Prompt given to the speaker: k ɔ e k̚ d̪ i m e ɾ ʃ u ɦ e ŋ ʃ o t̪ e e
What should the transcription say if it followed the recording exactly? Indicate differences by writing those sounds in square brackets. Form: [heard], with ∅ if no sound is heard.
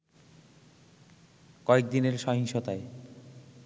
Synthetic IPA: k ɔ e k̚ d̪ i [n] e ɾ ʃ [ɔ] ɦ [i] ŋ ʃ o t̪ [a] e

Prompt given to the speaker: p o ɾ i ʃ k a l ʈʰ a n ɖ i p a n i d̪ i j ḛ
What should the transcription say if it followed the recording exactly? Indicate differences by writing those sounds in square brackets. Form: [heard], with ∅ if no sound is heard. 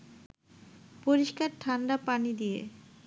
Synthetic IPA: p o ɾ i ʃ k a [ɾ] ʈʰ a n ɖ [a] p a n i d̪ i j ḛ

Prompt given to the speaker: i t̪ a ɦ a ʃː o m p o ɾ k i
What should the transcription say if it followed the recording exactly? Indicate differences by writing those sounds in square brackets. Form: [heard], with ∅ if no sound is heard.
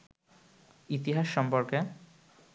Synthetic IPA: i t̪ [i] ɦ a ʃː [ɔ] m p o ɾ k [e]

